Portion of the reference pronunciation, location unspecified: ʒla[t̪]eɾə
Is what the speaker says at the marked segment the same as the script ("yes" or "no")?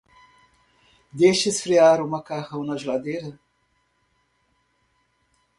no